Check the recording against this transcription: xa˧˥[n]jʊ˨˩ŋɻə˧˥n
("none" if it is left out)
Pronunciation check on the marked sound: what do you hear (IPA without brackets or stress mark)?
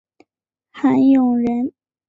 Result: n